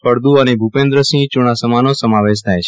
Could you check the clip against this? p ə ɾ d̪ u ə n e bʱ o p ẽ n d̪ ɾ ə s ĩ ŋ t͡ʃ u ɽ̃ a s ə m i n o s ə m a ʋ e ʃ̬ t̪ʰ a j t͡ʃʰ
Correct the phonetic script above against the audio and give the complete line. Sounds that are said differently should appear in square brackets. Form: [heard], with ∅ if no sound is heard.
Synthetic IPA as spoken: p ə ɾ d̪ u ə n e bʱ [u] p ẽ n d̪ ɾ ə s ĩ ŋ t͡ʃ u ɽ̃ a s ə m [a] n o s ə m a ʋ e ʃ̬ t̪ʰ a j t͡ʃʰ